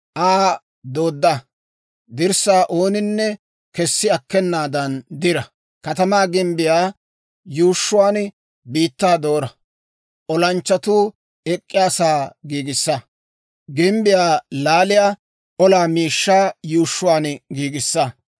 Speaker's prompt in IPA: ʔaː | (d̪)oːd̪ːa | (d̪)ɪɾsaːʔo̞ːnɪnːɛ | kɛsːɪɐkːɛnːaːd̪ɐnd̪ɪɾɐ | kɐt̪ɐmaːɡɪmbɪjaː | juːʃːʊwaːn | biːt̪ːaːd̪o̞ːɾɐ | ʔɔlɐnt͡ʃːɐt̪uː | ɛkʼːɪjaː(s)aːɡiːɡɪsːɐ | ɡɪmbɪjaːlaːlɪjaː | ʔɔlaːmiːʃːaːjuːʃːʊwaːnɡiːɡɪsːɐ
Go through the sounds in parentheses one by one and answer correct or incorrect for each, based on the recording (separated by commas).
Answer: correct, correct, correct